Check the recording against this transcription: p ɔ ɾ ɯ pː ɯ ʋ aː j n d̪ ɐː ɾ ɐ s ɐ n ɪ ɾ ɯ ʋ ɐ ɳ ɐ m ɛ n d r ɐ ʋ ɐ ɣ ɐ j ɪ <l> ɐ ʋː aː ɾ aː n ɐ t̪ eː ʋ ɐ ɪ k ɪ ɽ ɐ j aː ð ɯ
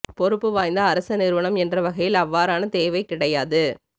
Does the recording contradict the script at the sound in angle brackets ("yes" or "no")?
no